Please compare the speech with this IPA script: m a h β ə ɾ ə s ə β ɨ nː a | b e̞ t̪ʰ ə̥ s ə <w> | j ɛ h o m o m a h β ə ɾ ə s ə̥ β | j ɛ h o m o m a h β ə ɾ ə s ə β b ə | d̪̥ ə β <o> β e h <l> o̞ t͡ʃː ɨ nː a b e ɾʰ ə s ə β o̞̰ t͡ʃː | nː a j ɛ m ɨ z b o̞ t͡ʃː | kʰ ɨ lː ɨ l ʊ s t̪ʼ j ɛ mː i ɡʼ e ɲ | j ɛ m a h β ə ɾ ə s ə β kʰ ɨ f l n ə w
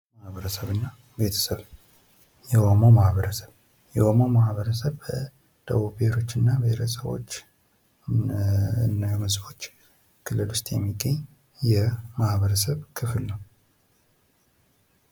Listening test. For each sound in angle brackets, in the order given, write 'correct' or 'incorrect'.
incorrect: β, incorrect: u, incorrect: ɾ

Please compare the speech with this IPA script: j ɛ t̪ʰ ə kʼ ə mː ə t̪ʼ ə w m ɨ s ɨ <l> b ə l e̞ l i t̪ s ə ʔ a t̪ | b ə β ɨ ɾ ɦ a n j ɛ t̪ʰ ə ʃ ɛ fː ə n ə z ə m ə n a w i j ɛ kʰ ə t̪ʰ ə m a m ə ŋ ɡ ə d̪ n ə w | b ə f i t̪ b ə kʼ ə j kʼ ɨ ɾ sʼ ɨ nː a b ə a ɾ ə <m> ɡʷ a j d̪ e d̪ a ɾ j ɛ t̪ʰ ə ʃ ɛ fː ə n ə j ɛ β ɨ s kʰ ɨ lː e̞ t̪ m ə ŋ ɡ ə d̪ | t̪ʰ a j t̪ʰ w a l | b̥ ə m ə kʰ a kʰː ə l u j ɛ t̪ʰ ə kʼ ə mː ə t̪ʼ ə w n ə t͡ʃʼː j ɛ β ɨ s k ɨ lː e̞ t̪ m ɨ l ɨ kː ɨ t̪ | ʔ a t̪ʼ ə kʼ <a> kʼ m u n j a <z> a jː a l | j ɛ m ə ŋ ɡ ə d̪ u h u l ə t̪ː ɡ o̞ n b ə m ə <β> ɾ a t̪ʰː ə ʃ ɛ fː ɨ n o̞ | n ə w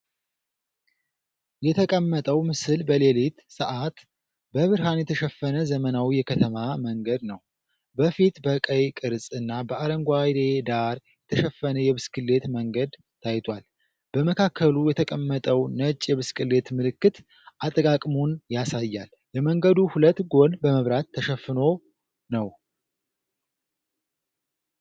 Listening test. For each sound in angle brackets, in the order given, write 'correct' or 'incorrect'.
correct, incorrect: ŋ, correct, incorrect: s, correct

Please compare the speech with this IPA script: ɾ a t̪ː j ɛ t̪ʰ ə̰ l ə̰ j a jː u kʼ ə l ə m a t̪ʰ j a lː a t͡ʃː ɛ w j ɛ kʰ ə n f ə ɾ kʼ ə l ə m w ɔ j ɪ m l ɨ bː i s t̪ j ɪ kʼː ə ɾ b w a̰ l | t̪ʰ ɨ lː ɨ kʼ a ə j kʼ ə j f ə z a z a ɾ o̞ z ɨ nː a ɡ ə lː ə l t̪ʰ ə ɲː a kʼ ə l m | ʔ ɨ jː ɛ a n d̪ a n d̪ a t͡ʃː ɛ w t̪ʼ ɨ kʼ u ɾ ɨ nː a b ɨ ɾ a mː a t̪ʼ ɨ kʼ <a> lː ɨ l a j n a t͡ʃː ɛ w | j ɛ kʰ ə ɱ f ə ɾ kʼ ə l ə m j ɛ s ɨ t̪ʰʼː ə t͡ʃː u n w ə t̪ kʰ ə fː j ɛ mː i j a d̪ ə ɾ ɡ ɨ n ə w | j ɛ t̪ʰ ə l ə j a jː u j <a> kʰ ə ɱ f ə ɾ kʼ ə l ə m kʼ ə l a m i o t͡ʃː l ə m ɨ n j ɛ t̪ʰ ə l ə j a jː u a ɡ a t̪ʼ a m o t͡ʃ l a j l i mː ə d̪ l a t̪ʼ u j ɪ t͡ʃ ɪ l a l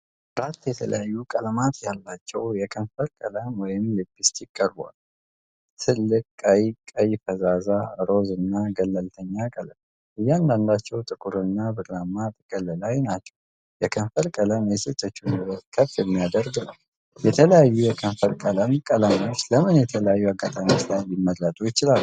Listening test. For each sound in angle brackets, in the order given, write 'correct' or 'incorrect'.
incorrect: ə, incorrect: ɛ

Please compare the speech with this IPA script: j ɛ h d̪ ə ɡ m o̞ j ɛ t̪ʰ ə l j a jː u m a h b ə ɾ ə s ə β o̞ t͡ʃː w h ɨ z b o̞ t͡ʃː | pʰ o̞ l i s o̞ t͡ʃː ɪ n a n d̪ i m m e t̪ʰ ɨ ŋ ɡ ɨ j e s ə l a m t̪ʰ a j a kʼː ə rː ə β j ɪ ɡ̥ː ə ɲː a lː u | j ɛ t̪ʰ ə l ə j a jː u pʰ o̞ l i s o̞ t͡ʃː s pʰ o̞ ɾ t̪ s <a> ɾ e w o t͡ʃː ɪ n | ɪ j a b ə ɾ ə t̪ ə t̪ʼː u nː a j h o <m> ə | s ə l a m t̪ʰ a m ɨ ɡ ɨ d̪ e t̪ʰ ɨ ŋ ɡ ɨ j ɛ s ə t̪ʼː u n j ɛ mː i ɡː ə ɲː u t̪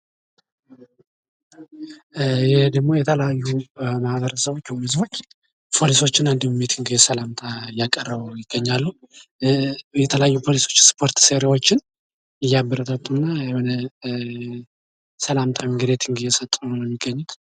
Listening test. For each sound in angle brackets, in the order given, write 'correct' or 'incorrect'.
incorrect: e, incorrect: n

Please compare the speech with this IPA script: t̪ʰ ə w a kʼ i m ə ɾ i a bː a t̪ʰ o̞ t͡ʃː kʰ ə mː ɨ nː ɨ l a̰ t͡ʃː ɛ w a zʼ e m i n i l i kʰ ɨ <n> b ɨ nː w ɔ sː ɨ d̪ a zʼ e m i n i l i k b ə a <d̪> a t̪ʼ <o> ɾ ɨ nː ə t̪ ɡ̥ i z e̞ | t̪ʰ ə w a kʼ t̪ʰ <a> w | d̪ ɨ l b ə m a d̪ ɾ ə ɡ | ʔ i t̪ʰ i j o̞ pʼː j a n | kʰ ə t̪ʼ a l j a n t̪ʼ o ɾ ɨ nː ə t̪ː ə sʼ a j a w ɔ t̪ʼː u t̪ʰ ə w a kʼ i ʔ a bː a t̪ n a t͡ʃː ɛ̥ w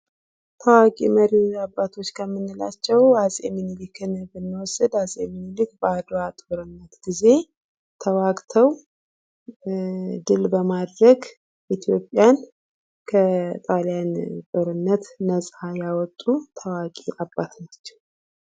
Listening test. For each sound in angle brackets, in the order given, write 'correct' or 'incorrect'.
correct, correct, correct, incorrect: ə

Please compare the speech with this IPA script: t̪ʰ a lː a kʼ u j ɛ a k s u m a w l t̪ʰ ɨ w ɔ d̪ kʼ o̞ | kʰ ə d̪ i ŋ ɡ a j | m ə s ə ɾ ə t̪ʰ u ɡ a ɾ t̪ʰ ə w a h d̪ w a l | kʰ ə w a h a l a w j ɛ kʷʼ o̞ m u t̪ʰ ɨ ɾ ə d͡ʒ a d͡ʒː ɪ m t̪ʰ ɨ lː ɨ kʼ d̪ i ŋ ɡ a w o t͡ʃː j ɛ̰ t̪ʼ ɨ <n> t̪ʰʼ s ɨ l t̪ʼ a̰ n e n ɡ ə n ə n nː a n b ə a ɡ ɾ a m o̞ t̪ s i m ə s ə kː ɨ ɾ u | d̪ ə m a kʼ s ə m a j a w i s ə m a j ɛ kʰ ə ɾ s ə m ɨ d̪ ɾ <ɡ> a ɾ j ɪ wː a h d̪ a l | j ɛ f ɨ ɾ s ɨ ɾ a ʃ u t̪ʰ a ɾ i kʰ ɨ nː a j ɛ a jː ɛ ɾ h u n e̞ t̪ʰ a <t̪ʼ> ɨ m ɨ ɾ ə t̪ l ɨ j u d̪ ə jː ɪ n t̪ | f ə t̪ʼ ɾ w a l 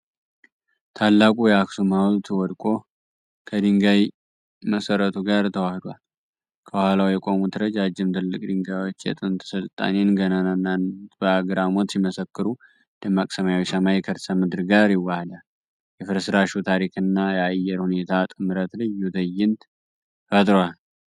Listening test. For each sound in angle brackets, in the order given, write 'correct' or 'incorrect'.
correct, correct, correct

